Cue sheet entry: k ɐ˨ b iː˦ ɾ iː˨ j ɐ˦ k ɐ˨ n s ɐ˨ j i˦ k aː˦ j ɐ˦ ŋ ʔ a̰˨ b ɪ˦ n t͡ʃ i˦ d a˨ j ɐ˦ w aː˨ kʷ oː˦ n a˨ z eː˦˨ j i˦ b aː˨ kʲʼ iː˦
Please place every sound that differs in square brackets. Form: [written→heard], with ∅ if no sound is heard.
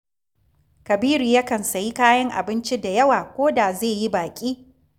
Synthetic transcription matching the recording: k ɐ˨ b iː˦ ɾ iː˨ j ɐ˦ k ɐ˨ n s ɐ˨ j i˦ k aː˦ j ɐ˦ ŋ ʔ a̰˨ b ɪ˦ n t͡ʃ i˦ d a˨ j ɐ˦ w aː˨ kʷ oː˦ [n→d] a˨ z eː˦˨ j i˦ b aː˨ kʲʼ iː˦